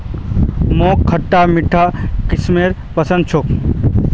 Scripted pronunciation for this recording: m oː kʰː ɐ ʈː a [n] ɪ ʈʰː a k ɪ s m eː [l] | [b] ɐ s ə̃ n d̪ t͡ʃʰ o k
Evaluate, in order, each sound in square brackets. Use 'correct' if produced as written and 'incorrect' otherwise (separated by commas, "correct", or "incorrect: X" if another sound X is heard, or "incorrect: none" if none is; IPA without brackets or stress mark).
incorrect: m, incorrect: ɾ, incorrect: p